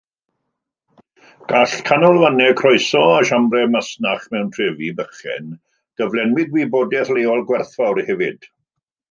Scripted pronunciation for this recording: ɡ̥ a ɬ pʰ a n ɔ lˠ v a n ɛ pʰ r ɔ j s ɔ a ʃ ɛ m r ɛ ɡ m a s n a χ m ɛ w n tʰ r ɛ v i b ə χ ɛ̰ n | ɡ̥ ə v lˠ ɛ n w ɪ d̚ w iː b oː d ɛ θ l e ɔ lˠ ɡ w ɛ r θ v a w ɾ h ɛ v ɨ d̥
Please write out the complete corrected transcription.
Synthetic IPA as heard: ɡ̥ a ɬ kʰ a n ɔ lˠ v a n ɛ kʰ r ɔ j s ɔ a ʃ a m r ɛ m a s n a χ m ɛ w n tʰ r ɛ v i b ə χ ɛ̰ n | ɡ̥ ə v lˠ ɛ n w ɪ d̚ w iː b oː d ɛ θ l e ɔ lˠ ɡ w ɛ r θ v a w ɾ h ɛ v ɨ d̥

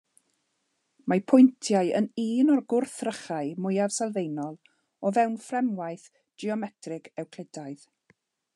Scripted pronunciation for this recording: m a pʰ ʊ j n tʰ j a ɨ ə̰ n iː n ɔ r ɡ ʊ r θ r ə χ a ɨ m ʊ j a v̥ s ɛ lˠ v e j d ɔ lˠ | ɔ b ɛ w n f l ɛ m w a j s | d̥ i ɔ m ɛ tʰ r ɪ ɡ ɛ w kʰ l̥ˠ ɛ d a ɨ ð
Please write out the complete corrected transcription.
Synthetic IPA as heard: m a pʰ ʊ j n tʰ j a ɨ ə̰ n iː n ɔ r ɡ ʊ r θ r ə χ a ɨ m ʊ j a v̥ s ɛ lˠ v e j n ɔ lˠ | ɔ v ɛ w n f r ɛ m w a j θ | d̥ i ɔ m ɛ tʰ r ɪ ɡ ɛ w kʰ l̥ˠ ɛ d a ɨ ð

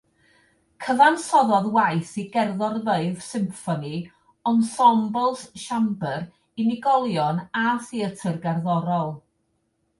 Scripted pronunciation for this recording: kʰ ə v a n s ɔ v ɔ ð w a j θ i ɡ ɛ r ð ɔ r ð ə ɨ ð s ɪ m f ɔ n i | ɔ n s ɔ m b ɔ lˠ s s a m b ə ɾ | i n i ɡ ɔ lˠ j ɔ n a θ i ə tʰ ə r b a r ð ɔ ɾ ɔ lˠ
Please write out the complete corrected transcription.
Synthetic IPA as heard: kʰ ə v a n s ɔ ð ɔ ð w a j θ i ɡ ɛ r ð ɔ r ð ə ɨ ð s ɪ m f ɔ n i | ɔ n s ɔ m b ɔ lˠ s ʃ a m b ə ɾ | i n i ɡ ɔ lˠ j ɔ n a θ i ə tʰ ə r ɡ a r ð ɔ ɾ ɔ lˠ

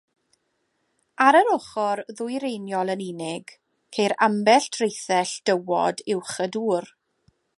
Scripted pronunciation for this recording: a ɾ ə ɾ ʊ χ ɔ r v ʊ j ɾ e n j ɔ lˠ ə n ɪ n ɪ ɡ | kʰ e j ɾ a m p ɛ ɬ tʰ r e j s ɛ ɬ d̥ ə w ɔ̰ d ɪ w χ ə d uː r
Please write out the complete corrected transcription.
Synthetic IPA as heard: a ɾ ə ɾ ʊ χ ɔ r ð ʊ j ɾ e n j ɔ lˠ ə n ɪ n ɪ ɡ | kʰ e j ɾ a m b ɛ ɬ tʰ r e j θ ɛ ɬ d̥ ə w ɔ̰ d ɪ w χ ə d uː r

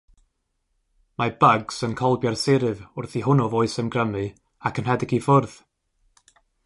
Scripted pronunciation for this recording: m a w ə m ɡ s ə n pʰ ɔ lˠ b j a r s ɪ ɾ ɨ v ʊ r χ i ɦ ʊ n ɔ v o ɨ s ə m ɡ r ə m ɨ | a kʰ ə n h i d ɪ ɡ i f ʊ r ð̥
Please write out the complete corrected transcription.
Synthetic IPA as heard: m a b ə ɡ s ə n kʰ ɔ lˠ b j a r s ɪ ɾ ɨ v ʊ r θ i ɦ ʊ n ɔ v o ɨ s ə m ɡ r ə m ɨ | a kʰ ə n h ɛ d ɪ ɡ i f ʊ r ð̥

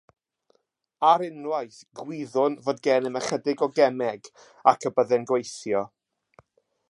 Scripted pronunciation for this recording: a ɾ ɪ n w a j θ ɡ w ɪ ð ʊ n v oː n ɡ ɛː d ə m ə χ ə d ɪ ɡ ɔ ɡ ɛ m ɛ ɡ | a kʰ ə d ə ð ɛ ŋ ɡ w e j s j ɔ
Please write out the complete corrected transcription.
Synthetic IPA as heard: a ɾ ɪ n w a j θ ɡ w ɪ ð ʊ n v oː d ɡ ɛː n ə m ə χ ə d ɪ ɡ ɔ ɡ ɛ m ɛ ɡ | a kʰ ə b ə ð ɛ n ɡ w e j θ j ɔ

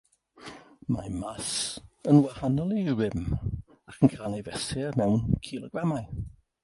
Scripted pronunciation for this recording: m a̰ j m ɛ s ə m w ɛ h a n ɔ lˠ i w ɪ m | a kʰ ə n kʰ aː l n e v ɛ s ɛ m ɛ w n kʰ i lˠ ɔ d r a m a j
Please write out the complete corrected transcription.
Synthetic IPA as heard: m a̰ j m a s ə n w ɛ h a n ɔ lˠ i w ɪ m | a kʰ ə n kʰ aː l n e v ɛ s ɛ m ɛ w n kʰ i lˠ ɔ ɡ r a m a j

